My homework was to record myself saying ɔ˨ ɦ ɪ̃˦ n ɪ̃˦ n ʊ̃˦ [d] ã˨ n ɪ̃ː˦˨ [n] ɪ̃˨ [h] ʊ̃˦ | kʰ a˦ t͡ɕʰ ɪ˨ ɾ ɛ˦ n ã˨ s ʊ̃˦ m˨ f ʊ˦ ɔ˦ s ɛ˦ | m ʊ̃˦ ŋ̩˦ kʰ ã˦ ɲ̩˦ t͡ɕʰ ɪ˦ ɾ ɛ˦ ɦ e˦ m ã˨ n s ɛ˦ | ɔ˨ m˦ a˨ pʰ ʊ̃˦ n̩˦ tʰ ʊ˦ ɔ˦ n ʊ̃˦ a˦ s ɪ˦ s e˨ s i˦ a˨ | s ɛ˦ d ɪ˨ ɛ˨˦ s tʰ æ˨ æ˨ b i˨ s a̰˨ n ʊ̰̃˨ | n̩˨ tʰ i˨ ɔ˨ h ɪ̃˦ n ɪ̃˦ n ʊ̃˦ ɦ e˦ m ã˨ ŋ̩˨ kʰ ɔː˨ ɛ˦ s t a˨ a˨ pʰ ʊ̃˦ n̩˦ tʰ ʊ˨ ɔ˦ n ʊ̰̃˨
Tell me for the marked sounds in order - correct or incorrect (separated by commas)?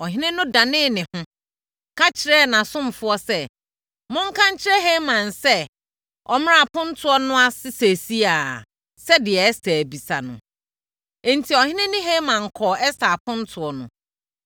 correct, correct, correct